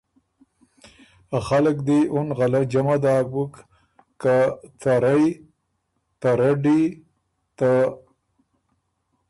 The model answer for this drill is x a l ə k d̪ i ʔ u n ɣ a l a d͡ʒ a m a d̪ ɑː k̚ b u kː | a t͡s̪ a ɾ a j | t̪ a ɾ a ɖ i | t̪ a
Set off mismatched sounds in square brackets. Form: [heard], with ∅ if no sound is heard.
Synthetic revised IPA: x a l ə k d̪ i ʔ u n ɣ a l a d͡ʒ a m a d̪ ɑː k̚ b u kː | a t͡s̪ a ɾ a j | t̪ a ɾ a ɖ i | t̪ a